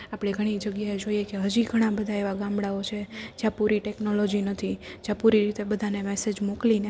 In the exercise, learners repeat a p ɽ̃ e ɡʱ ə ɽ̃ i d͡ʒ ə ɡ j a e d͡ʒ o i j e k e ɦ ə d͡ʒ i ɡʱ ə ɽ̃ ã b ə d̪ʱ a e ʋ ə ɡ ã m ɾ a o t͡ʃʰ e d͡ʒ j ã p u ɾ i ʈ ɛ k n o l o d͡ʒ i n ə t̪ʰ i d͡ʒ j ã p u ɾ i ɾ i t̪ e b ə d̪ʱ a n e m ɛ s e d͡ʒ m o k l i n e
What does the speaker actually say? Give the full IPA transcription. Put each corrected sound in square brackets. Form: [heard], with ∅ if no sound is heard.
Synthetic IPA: a p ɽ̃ e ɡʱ ə ɽ̃ i d͡ʒ ə ɡ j a e d͡ʒ o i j e k e ɦ ə d͡ʒ i ɡʱ ə ɽ̃ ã b ə d̪ʱ a e ʋ [a] ɡ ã m [ɽ] a o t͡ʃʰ e d͡ʒ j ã p u ɾ i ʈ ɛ k n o l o d͡ʒ i n ə t̪ʰ i d͡ʒ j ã p u ɾ i ɾ i t̪ e b ə d̪ʱ a n e m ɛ s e d͡ʒ m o k l i n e

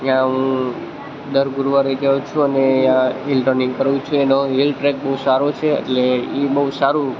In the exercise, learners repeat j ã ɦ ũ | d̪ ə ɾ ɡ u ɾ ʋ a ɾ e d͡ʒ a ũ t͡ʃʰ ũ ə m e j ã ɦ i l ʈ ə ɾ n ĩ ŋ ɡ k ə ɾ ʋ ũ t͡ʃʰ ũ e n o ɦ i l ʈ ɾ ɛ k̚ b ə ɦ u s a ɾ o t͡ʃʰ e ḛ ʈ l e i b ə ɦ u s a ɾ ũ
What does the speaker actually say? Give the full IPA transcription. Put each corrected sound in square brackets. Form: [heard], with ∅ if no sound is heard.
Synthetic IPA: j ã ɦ ũ | d̪ ə ɾ ɡ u ɾ ʋ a ɾ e d͡ʒ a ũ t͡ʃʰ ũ ə [n] e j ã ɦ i l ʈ ə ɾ n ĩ ŋ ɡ k ə ɾ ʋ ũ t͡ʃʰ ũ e n o ɦ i l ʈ ɾ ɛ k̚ b ə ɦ u s a ɾ o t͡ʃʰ e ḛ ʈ l e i b ə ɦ u s a ɾ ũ

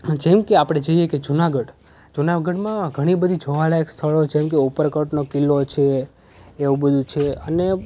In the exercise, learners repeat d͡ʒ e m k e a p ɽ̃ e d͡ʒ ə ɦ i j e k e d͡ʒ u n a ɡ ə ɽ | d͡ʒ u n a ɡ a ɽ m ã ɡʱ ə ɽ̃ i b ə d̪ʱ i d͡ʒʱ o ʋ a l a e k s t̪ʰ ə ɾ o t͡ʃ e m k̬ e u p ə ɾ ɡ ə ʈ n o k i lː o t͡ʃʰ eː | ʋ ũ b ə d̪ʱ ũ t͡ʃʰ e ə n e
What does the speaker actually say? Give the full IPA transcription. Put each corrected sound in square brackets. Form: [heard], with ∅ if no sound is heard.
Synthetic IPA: d͡ʒ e m k e a p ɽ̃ e d͡ʒ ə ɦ i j e k e d͡ʒ u n a ɡ ə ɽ | d͡ʒ u n a ɡ [ə] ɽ m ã ɡʱ ə ɽ̃ i b ə d̪ʱ i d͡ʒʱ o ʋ a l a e k s t̪ʰ ə [ɭ] o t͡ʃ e m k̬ e u p ə ɾ [k] ə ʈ n o k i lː o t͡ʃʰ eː | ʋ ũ b ə d̪ʱ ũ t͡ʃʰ e ə n e

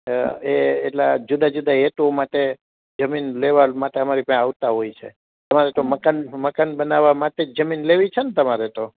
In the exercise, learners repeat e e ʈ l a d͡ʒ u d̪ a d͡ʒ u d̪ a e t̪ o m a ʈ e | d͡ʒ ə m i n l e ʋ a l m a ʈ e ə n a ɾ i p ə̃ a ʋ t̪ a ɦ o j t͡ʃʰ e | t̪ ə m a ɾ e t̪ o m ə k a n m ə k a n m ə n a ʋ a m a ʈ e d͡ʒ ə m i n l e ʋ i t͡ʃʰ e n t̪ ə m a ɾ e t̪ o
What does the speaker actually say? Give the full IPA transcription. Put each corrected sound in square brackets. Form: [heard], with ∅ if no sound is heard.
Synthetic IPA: e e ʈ l a d͡ʒ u d̪ a d͡ʒ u d̪ a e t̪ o m a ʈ e | d͡ʒ ə m i n l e ʋ a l m a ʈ e ə [m] a ɾ i p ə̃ a ʋ t̪ a ɦ o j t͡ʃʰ e | t̪ ə m a ɾ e t̪ o m ə k a n m ə k a n [b] ə n a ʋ a m a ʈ e d͡ʒ ə m i n l e ʋ i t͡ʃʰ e n t̪ ə m a ɾ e t̪ o

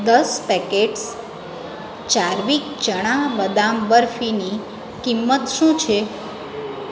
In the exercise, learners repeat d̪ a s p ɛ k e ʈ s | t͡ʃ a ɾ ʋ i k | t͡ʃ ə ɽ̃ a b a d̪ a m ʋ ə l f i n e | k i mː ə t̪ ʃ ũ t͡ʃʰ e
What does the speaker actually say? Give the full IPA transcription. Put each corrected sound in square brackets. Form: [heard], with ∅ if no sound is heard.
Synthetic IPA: d̪ [ə] s p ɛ k e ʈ s | t͡ʃ a ɾ ʋ i k | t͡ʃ ə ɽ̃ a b [ə] d̪ a m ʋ ə [ɾ] f i n [i] | k i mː ə t̪ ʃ ũ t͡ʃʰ e

